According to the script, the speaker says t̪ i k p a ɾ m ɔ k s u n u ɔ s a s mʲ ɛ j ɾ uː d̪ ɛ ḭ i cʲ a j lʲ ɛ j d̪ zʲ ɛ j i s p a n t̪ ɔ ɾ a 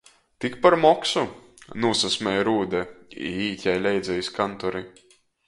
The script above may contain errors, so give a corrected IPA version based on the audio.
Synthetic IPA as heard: t̪ i k p a ɾ m ɔ k s u n u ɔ s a s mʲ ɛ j ɾ uː d̪ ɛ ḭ iː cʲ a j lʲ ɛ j d̪ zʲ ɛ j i s k a n t̪ ɔ ɾ i